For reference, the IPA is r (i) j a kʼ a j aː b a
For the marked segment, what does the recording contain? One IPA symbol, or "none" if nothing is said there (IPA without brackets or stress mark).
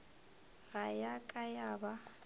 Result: a